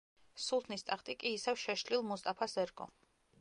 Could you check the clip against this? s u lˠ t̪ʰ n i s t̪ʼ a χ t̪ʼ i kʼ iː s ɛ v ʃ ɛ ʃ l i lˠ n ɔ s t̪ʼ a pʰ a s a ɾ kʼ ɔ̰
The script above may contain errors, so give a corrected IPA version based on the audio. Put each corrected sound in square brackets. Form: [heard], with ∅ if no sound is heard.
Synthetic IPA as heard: s u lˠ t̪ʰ n i s t̪ʼ a χ t̪ʼ i kʼ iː s ɛ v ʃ ɛ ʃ l i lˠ [m] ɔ s t̪ʼ a pʰ a s [ɛ] ɾ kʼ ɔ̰